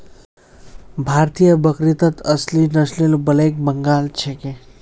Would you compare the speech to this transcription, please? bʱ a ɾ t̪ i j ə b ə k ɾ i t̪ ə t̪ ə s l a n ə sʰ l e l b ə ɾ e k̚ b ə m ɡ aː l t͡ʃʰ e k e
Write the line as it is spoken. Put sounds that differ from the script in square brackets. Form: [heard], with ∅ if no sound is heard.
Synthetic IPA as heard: bʱ a ɾ t̪ i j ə b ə k ɾ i t̪ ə t̪ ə s l [i] n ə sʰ l e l b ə [l] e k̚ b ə [ŋ] ɡ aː l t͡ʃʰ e k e